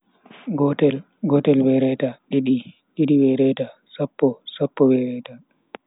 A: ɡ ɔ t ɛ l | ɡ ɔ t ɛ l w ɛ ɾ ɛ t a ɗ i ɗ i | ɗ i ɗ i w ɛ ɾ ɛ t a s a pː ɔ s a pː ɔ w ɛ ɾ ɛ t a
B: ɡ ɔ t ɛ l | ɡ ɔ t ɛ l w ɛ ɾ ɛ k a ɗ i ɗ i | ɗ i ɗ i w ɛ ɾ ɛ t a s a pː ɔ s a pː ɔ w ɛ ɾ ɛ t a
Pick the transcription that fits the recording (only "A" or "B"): A